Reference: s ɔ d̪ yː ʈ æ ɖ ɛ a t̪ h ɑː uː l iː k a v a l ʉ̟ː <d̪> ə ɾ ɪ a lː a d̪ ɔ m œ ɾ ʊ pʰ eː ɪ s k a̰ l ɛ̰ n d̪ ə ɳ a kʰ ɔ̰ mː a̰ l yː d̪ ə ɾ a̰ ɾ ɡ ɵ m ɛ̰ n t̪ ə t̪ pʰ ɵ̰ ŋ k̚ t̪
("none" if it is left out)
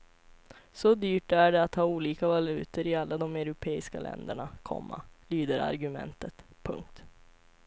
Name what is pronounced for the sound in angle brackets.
t̪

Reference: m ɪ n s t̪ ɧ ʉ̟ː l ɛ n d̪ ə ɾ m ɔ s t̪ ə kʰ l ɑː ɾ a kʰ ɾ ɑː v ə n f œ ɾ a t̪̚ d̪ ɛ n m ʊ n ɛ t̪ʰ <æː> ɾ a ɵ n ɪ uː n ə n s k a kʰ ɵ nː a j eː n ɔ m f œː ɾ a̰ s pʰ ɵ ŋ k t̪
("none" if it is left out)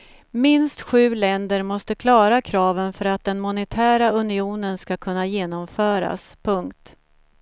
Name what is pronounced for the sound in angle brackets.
æː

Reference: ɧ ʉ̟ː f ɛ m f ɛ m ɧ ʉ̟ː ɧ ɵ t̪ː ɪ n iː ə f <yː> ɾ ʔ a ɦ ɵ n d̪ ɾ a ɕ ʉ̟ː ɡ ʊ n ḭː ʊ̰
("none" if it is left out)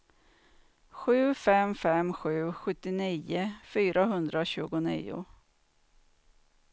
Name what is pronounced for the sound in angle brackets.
yː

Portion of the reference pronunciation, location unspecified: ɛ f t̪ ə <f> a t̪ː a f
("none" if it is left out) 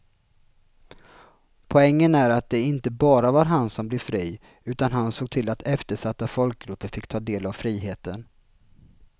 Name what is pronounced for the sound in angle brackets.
ʂ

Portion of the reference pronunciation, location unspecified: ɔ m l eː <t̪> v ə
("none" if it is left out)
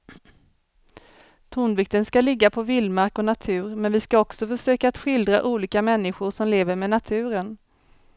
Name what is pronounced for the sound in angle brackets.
none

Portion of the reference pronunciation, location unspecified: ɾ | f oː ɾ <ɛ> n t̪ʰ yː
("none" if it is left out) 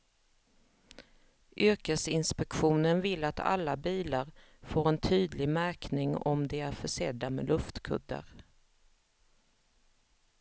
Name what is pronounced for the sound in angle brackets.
ɛ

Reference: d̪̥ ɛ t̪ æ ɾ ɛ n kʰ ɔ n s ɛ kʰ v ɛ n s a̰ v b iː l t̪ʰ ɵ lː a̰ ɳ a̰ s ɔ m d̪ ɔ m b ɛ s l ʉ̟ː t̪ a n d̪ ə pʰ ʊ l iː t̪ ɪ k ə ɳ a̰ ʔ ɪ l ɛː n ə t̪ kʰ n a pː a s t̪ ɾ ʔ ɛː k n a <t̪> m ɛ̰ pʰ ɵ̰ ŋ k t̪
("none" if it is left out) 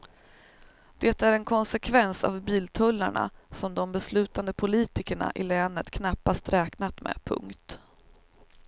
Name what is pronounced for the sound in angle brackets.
t̪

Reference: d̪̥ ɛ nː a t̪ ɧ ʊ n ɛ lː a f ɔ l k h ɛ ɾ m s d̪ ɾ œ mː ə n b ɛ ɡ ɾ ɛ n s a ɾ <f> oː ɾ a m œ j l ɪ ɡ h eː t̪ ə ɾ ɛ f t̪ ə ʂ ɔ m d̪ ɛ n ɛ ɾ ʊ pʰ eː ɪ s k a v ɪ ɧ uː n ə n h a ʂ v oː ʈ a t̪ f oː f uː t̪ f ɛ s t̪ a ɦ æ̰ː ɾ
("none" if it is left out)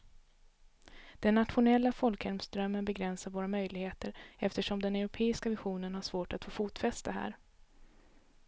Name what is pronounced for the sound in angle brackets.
v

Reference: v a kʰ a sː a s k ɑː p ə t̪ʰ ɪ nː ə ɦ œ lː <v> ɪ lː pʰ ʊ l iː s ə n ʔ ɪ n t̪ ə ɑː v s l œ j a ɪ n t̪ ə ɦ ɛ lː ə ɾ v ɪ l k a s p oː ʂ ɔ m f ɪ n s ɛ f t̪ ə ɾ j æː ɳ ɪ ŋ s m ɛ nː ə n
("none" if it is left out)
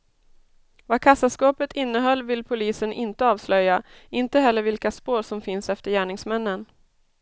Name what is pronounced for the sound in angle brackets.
v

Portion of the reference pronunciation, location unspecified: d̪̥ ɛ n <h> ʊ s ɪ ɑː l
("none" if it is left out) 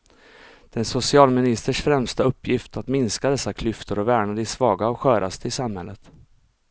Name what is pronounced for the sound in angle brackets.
s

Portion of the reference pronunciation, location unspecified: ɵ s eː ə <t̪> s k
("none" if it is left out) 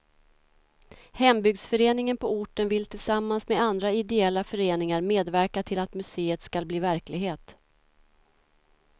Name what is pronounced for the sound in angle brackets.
t̪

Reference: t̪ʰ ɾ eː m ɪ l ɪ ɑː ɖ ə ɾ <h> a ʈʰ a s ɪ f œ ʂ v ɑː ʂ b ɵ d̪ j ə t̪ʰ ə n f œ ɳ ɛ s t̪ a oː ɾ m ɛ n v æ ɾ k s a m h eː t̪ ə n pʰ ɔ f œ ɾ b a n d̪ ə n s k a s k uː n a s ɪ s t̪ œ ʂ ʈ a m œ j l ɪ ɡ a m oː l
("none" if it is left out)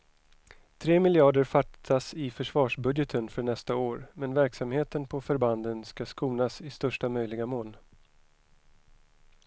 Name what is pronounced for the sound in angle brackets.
f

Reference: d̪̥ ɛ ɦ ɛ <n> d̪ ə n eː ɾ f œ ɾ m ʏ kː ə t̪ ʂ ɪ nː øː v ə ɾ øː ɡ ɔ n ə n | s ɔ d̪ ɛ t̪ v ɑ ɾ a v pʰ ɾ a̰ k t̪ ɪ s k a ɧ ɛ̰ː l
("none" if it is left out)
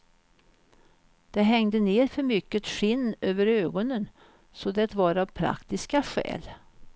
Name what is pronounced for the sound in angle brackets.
ŋ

